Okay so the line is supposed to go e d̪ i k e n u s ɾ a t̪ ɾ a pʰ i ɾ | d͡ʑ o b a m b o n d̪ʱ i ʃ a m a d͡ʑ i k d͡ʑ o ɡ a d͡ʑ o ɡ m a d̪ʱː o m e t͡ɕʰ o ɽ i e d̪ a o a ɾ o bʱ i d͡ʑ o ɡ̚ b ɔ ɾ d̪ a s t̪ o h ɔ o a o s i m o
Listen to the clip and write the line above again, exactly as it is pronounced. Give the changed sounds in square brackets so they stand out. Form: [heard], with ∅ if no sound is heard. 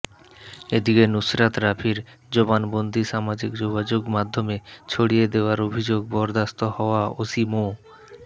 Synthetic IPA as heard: e d̪ i k e n u s ɾ a t̪ ɾ a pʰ i ɾ | d͡ʑ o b a [n] b o n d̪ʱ i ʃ a m a d͡ʑ i k d͡ʑ o ɡ a d͡ʑ o ɡ m a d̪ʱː o m e t͡ɕʰ o ɽ i e d̪ [e] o a ɾ o bʱ i d͡ʑ o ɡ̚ b ɔ ɾ d̪ a s t̪ o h ɔ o a o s i m o

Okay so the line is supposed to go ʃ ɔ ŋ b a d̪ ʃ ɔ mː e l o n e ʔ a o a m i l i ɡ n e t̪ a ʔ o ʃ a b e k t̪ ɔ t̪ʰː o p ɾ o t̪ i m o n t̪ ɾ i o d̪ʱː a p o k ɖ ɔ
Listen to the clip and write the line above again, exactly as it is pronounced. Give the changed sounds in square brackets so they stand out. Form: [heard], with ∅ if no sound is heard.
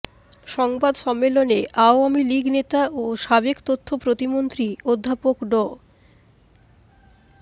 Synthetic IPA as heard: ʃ ɔ ŋ b a d̪ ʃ ɔ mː e l o n e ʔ a o a m i l i ɡ n e t̪ a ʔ o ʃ a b e k t̪ [o] t̪ʰː o p ɾ o t̪ i m o n t̪ ɾ i o d̪ʱː a p o k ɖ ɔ

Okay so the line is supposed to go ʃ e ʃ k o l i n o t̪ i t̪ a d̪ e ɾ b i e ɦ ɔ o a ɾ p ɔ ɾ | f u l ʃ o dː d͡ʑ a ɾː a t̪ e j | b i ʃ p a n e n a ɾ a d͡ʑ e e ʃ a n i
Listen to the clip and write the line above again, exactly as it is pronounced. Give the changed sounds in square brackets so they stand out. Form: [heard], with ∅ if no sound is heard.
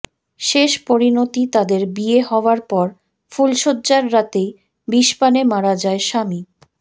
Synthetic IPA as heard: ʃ e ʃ [p] o [ɾ] i n o t̪ i t̪ a d̪ e ɾ b i e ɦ ɔ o a ɾ p ɔ ɾ | f u l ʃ o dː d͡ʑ a ɾː a t̪ e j | b i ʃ p a n e [m] a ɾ a d͡ʑ [a] e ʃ a [m] i

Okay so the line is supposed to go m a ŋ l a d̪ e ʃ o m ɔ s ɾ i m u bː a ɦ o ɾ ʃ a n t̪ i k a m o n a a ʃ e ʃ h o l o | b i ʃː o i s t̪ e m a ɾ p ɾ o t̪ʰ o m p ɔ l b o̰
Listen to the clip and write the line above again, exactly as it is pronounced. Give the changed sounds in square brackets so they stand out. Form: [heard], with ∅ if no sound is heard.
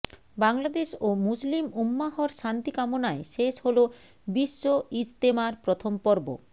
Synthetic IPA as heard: [b] a ŋ l a d̪ e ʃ o m [u] s [l] i m u [mː] a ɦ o ɾ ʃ a n t̪ i k a m o n a [e] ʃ e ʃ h o l o | b i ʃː o i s t̪ e m a ɾ p ɾ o t̪ʰ o m p ɔ [ɾ] b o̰

